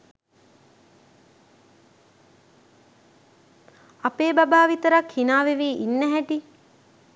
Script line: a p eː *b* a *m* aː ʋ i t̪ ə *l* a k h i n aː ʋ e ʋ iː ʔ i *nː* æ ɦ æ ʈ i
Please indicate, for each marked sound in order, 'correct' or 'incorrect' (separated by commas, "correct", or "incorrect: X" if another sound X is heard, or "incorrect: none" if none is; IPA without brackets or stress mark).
correct, incorrect: b, incorrect: ɾ, correct